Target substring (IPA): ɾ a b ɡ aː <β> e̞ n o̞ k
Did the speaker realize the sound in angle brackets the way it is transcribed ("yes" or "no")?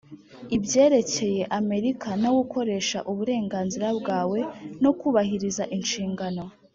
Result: no